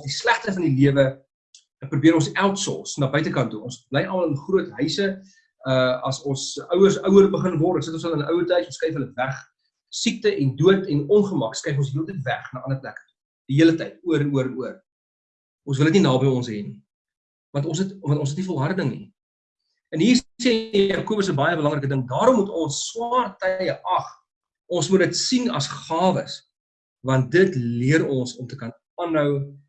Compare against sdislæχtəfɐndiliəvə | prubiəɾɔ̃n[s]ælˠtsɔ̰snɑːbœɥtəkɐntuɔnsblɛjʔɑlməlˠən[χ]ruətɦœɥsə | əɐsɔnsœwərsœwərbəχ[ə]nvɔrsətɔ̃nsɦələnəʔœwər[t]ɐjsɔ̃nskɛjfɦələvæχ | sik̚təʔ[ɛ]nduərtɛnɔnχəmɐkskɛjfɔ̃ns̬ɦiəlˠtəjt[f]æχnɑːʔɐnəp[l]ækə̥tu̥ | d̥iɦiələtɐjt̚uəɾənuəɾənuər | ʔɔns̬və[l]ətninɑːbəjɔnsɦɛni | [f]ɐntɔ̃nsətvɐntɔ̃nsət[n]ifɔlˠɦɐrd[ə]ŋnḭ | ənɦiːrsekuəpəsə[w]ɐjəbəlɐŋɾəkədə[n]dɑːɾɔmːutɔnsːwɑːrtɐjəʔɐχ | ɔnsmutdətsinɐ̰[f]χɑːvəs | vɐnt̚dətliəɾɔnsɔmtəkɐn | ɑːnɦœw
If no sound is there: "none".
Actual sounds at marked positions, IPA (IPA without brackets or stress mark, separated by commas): s, χ, ə, t, ɛ, v, l, l, v, n, ə, b, ŋ, s